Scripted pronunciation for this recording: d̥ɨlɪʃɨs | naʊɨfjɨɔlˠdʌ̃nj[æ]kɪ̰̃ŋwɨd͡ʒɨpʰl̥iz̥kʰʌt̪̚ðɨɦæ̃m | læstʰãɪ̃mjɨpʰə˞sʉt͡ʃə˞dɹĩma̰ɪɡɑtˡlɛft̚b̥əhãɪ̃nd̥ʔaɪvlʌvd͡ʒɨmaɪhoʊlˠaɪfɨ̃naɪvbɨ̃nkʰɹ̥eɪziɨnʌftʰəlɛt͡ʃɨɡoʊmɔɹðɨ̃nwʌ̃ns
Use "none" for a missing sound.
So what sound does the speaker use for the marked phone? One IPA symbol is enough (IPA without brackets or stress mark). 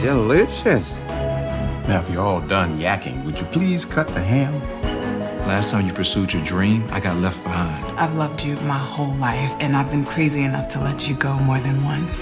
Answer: æ